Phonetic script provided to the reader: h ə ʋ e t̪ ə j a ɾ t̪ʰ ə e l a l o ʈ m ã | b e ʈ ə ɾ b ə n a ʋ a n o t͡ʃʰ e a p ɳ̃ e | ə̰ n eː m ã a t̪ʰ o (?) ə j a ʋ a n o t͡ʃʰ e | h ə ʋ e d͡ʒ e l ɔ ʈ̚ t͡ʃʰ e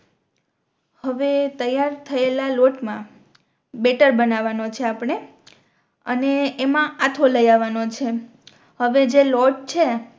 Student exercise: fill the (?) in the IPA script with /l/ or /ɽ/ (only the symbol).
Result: l